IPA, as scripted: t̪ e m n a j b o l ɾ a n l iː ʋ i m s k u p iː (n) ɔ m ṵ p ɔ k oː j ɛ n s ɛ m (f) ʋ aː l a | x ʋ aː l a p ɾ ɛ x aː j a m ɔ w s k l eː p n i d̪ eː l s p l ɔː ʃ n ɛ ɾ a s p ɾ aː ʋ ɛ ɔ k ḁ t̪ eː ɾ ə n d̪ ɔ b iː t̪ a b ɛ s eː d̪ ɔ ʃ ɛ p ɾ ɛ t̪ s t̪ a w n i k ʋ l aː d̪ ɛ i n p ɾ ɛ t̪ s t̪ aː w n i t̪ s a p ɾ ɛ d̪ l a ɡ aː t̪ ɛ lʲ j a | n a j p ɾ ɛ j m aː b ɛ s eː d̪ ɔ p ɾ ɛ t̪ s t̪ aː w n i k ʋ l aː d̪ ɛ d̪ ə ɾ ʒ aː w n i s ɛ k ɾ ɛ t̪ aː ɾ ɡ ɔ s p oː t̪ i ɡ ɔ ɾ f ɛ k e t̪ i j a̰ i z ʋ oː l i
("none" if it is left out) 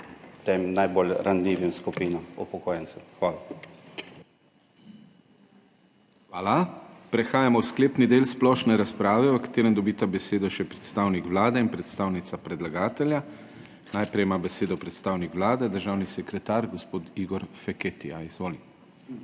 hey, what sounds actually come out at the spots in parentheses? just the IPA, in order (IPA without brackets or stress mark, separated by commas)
n, x